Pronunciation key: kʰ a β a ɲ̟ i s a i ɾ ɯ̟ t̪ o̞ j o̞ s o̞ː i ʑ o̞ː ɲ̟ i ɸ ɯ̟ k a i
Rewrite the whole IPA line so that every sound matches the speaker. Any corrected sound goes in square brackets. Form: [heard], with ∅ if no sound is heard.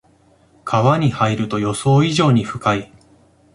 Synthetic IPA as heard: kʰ a β a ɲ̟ i [h] a i ɾ ɯ̟ t̪ o̞ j o̞ s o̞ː i ʑ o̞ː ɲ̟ i ɸ ɯ̟ k a i